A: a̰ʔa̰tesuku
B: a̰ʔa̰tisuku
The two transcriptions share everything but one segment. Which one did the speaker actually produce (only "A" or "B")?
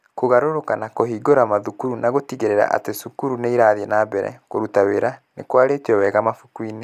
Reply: A